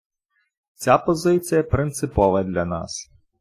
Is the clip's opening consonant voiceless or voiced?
voiceless